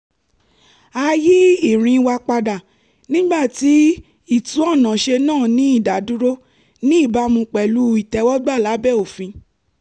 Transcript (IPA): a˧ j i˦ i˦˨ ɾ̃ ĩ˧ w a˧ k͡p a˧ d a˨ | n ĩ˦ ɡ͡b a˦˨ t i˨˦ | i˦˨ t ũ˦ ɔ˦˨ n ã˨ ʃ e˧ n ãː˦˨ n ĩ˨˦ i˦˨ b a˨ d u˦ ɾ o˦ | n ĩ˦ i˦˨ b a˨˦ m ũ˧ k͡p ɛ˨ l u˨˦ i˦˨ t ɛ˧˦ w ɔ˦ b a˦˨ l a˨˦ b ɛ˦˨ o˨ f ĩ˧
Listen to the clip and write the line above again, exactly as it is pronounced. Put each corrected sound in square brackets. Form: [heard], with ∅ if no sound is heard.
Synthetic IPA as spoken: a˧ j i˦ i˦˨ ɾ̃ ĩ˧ w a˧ k͡p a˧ d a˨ | n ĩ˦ ɡ͡b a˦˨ t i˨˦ | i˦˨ t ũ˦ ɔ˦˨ n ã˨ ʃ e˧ n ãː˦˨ n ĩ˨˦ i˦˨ [d] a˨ d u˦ ɾ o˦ | n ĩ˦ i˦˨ b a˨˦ m ũ˧ k͡p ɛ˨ l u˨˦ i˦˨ t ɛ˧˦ w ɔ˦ [ɡ͡b] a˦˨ l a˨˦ b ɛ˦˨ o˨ f ĩ˧

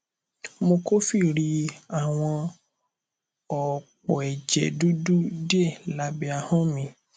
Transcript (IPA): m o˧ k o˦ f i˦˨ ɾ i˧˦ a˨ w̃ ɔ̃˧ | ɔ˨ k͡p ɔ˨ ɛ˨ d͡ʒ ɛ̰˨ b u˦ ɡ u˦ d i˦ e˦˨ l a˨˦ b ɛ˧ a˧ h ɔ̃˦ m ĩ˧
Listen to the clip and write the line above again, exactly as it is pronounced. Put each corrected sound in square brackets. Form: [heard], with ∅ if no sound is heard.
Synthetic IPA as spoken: m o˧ k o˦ f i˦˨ ɾ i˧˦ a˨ w̃ ɔ̃˧ | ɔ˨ k͡p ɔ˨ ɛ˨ d͡ʒ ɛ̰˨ [d] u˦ [d] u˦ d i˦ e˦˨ l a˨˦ b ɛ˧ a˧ h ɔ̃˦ m ĩ˧

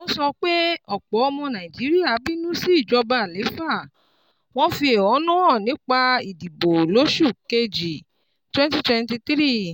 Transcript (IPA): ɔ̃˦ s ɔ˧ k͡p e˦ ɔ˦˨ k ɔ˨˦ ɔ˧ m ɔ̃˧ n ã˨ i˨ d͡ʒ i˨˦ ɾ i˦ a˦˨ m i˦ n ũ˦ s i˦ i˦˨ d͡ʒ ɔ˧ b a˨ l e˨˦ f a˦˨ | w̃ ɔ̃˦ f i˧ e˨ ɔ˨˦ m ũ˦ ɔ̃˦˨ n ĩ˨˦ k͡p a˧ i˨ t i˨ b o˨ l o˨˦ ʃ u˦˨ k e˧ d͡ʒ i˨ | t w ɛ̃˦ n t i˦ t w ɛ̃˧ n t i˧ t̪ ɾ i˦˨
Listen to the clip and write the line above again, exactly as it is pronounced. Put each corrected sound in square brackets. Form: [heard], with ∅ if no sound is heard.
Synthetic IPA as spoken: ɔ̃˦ s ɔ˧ k͡p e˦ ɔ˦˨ [k͡p] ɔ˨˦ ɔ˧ m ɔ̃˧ n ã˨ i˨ d͡ʒ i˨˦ ɾ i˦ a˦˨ [b] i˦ n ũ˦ s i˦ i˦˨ d͡ʒ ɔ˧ b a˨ l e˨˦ f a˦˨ | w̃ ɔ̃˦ f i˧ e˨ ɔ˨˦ [n] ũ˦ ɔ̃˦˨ n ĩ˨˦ k͡p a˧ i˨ [d] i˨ b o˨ l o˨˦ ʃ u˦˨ k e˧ d͡ʒ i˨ | t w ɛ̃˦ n t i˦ t w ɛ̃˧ n t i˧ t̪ ɾ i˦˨

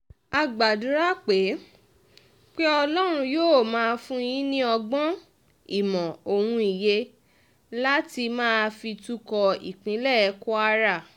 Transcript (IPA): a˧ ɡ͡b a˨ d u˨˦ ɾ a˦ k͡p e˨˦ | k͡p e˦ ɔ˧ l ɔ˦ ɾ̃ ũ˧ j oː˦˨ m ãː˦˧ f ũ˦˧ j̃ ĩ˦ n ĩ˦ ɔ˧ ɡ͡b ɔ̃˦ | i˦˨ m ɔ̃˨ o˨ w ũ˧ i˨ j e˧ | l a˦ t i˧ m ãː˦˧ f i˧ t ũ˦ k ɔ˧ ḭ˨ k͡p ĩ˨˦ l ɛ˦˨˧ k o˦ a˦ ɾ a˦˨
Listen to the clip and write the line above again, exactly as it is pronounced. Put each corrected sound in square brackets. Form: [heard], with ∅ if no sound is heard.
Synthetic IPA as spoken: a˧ ɡ͡b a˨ d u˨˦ ɾ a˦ k͡p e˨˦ | k͡p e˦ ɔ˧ l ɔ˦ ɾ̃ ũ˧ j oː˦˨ m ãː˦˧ f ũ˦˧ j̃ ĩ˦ n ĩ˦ ɔ˧ ɡ͡b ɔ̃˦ | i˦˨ m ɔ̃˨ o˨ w ũ˧ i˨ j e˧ | l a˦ t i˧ m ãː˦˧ f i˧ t [u˦] k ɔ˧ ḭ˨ k͡p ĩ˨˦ l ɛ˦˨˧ k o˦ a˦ ɾ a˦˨

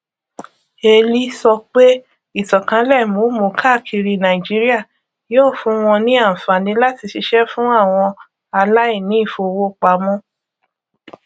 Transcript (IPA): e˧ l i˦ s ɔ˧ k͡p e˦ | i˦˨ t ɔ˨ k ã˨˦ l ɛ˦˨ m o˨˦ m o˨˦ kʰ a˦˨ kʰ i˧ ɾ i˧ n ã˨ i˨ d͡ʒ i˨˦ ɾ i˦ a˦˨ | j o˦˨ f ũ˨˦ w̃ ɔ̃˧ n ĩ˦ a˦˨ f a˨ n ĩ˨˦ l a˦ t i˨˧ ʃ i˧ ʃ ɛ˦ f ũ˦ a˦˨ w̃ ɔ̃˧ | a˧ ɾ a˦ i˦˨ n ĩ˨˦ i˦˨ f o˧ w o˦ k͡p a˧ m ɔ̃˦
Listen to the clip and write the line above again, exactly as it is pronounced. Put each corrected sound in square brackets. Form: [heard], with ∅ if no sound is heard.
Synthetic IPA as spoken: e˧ l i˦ s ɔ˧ k͡p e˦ | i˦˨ t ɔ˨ k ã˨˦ l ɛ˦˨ m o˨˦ m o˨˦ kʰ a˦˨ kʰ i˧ ɾ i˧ n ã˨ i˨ d͡ʒ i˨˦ ɾ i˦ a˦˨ | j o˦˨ f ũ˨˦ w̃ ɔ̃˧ n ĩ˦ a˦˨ f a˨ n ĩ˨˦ l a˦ t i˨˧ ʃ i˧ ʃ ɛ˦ f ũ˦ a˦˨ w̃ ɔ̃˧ | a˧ [l] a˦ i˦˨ n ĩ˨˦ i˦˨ f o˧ w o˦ k͡p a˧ m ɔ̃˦

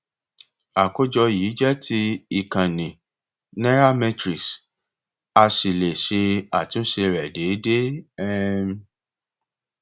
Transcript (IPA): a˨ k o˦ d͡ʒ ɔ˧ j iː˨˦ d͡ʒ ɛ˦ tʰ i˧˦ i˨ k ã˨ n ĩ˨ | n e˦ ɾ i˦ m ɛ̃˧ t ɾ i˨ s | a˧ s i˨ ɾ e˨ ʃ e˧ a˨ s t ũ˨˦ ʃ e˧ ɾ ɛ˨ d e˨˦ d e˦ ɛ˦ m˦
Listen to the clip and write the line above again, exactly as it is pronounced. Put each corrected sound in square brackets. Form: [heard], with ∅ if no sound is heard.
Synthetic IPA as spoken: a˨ k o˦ d͡ʒ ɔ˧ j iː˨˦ d͡ʒ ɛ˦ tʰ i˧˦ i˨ k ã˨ n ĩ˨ | n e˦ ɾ [a˦] m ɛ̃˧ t ɾ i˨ s | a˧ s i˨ [l] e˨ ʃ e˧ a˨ [∅] t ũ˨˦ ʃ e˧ ɾ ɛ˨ d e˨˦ d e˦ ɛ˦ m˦

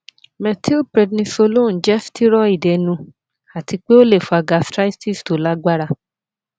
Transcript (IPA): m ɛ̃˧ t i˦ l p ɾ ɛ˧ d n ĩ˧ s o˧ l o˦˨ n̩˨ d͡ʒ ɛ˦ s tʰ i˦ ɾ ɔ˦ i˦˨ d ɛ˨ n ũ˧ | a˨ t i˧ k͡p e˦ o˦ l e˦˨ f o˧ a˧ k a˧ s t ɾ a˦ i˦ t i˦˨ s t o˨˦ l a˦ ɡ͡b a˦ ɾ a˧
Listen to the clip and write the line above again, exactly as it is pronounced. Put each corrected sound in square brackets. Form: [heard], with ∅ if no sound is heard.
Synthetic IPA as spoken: m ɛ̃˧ t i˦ l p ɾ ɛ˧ d n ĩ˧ s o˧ l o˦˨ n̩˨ d͡ʒ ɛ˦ [f] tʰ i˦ ɾ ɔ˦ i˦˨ d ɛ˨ n ũ˧ | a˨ t i˧ k͡p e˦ o˦ l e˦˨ f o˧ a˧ [ɡ] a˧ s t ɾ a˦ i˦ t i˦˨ s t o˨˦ l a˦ ɡ͡b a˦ ɾ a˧

